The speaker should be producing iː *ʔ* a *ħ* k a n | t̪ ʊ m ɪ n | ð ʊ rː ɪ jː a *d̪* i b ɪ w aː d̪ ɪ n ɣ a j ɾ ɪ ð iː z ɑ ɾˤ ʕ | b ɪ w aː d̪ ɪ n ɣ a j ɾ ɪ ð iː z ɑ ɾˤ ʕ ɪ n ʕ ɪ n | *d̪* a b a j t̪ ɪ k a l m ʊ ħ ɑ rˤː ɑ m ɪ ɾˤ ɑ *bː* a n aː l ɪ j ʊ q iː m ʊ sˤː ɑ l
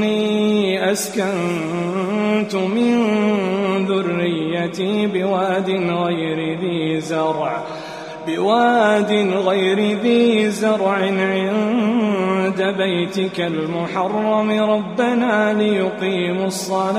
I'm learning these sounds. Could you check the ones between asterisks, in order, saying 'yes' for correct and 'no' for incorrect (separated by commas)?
yes, no, no, yes, yes